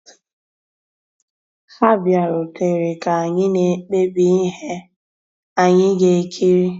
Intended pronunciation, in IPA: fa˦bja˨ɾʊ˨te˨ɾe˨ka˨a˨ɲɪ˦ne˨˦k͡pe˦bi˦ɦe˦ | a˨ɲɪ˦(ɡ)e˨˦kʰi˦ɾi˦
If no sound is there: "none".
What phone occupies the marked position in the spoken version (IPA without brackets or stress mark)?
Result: ɡ